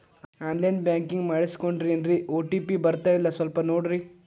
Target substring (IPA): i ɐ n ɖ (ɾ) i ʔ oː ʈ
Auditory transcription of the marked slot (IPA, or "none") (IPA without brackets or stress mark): ɾ